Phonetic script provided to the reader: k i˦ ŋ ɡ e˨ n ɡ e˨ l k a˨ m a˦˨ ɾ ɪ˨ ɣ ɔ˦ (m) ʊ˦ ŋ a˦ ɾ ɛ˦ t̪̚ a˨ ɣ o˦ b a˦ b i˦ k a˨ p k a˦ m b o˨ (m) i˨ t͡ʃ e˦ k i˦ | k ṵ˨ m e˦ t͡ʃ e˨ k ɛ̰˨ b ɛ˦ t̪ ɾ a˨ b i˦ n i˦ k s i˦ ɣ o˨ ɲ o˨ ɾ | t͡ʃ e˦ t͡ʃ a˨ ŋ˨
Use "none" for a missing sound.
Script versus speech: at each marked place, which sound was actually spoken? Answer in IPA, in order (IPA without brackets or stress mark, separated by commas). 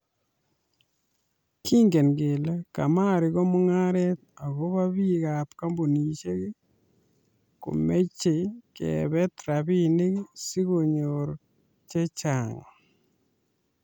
m, n